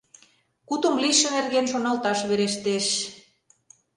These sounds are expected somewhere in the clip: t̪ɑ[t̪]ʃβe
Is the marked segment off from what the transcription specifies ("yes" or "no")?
yes